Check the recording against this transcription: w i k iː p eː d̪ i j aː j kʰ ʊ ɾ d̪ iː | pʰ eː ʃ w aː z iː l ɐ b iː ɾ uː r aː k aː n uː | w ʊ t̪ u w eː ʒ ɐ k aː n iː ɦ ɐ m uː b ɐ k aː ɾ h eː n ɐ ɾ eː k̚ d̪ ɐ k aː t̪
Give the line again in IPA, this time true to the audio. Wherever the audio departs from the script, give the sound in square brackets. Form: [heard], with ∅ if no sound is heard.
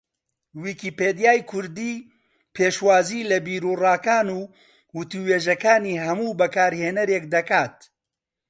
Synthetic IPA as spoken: w i k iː p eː d̪ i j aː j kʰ ʊ ɾ d̪ iː | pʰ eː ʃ w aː z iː l ɐ b iː ɾ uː r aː k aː n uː | w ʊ t̪ u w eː ʒ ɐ k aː n iː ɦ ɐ m uː b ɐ k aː ɾ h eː n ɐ ɾ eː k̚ d̪ ɐ k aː t̪